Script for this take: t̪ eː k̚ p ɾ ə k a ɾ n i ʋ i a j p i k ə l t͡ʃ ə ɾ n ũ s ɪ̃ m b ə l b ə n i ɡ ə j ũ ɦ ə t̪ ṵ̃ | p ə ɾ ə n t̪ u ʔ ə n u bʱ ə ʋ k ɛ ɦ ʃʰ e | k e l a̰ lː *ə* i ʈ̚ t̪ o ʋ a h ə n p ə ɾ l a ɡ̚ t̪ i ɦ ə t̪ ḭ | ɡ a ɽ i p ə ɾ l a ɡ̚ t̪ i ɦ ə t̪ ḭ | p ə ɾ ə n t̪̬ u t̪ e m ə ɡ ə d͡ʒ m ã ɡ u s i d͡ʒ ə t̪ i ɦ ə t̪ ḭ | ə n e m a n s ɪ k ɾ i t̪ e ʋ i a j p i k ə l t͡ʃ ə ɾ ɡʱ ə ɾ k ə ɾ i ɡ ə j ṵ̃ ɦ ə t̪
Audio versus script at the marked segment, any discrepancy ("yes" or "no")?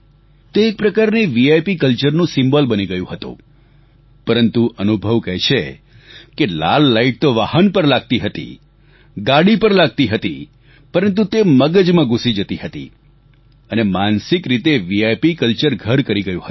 yes